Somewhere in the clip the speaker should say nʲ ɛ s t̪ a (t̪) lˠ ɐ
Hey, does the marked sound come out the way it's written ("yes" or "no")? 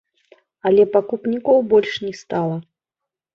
no